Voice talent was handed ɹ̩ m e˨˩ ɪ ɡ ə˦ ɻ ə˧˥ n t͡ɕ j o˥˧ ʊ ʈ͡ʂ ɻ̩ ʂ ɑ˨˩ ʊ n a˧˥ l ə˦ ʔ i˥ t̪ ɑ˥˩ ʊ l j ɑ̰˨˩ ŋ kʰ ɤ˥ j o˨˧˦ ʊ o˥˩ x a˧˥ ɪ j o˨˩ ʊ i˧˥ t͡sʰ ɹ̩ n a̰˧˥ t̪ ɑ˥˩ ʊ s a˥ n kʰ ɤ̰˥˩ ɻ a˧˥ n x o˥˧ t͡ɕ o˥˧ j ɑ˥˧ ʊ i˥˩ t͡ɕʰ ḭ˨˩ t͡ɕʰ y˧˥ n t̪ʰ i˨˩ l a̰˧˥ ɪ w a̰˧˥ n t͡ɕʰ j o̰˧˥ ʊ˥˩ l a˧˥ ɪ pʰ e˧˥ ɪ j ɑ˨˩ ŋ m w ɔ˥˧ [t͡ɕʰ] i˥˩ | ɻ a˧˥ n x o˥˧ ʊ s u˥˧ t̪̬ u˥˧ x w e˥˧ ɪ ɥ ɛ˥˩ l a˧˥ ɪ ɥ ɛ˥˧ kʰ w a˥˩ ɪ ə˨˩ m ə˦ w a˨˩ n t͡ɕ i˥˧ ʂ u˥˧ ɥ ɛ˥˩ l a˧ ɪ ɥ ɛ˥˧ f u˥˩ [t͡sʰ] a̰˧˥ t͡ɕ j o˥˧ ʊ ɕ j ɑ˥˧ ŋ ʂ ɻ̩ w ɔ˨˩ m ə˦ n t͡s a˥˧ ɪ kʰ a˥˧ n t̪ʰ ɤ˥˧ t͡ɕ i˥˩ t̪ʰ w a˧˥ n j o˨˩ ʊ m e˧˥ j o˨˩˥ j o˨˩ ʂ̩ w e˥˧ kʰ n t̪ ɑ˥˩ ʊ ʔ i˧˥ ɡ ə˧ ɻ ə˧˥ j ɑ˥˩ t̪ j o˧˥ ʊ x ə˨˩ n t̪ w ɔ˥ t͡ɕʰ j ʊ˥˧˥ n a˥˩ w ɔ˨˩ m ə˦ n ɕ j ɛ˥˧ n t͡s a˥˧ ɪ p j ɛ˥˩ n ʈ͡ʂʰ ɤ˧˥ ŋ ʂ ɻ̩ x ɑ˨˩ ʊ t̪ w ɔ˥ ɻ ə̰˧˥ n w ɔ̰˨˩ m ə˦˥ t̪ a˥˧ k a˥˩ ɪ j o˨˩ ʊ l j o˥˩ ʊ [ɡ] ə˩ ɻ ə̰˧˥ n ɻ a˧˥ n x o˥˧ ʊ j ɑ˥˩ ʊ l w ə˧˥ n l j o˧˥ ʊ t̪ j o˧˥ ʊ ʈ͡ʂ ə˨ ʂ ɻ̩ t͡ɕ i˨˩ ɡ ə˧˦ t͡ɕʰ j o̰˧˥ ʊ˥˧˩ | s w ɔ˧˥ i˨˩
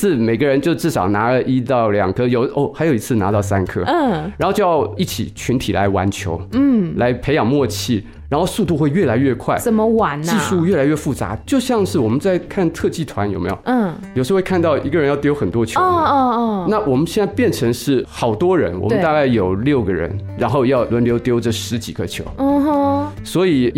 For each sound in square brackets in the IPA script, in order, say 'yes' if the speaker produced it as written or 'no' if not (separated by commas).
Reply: yes, no, yes